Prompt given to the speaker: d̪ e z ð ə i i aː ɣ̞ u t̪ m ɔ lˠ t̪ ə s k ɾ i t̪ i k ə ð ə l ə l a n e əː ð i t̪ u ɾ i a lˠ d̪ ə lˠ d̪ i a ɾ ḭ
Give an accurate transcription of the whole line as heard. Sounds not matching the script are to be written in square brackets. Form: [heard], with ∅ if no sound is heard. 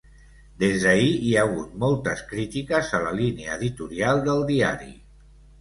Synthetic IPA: d̪ e z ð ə i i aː ɣ̞ u t̪ m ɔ lˠ t̪ ə s k ɾ i t̪ i k ə [z] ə l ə l [i] n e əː ð i t̪ u ɾ i a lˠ d̪ ə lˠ d̪ i a ɾ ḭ